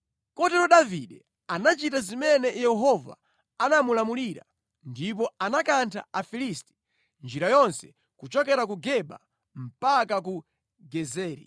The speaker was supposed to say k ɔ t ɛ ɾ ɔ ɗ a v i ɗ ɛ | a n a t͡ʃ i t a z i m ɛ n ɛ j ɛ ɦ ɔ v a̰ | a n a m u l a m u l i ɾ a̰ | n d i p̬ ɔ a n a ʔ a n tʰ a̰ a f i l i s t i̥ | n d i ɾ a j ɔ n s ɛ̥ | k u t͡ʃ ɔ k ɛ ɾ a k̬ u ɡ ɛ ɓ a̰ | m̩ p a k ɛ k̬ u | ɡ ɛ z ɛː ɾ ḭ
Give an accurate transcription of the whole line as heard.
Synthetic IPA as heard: k ɔ t ɛ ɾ ɔ ɗ a v i ɗ ɛ | a n a t͡ʃ i t a z i m ɛ n ɛ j ɛ ɦ ɔ v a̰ | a n a m u l a m u l i ɾ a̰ | n d i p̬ ɔ a n a k a n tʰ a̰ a f i l i s t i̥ | n d͡ʒ i ɾ a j ɔ n s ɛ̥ | k u t͡ʃ ɔ k ɛ ɾ a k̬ u ɡ ɛ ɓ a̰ | m̩ p a k a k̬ u | ɡ ɛ z ɛː ɾ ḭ